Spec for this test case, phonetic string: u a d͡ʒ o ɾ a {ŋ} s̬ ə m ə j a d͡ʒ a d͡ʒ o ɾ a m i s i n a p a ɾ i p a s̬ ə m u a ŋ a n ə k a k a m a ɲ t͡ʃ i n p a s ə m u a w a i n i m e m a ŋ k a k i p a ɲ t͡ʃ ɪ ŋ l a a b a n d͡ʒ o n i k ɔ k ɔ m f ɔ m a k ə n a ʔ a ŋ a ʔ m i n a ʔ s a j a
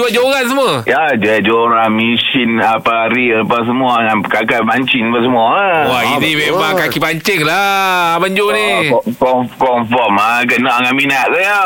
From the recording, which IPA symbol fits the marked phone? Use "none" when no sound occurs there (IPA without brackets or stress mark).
n